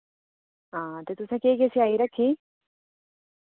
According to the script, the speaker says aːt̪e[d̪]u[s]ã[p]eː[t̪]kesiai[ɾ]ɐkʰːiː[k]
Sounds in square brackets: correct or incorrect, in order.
incorrect: t̪, correct, incorrect: k, incorrect: none, correct, incorrect: none

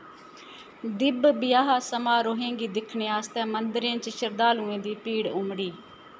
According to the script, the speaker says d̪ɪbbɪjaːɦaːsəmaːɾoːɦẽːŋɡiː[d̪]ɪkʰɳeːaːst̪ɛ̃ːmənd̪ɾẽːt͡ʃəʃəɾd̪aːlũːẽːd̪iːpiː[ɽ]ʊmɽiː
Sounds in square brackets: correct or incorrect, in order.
correct, correct

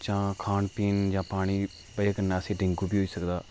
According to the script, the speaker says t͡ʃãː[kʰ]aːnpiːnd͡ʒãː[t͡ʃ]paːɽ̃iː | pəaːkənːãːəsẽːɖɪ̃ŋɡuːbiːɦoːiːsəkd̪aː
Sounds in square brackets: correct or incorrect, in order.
correct, incorrect: none

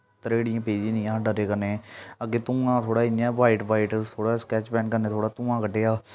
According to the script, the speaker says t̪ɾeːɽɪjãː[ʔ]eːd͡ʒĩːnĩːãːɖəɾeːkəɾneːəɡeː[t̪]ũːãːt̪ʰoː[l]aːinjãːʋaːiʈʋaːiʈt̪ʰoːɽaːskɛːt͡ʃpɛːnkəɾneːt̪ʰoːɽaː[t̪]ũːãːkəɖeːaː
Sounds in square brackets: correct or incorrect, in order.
incorrect: p, correct, incorrect: ɽ, correct

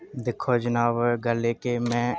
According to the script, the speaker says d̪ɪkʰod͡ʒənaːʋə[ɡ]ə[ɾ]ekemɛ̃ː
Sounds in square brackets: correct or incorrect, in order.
correct, incorrect: l

